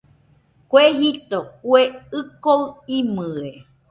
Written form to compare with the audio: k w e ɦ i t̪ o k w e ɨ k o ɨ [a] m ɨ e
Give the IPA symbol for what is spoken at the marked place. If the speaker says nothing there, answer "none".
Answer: i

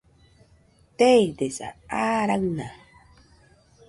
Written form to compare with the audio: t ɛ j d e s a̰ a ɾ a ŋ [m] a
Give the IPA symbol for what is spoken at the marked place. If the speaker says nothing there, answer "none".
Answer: n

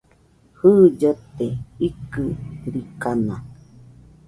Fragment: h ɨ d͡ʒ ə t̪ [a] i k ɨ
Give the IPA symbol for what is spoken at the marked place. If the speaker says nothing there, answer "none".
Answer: e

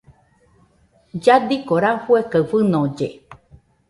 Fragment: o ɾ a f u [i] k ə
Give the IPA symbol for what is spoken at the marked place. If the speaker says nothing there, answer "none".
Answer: e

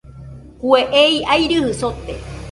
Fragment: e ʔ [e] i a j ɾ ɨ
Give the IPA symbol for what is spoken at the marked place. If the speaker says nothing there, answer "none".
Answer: e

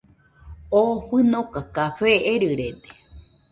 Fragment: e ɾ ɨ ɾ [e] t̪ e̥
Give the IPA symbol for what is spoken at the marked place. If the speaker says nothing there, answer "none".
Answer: e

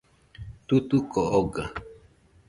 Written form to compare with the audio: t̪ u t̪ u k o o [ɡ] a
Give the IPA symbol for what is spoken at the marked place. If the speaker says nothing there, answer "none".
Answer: ɡ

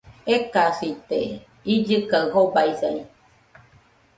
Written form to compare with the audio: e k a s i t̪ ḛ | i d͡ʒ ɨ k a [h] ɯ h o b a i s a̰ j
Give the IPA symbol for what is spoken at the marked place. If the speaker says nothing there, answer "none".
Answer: none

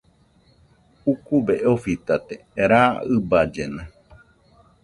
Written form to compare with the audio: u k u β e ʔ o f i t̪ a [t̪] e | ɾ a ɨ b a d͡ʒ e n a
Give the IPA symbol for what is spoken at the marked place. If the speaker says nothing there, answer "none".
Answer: t̪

